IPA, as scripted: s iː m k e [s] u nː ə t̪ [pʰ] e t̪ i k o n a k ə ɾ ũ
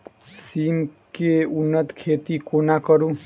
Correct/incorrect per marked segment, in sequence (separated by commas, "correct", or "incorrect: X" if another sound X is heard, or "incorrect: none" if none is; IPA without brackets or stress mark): incorrect: none, incorrect: kʰ